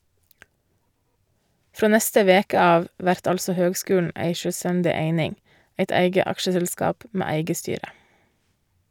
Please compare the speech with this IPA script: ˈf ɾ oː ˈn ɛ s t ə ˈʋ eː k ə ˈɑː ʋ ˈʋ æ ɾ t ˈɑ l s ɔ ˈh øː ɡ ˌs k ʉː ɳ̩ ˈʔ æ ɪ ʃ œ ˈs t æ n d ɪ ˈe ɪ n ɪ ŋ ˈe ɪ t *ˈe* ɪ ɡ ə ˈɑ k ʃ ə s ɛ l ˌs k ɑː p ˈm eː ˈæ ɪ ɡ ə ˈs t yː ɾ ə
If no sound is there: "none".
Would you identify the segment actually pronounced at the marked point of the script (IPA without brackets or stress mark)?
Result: æ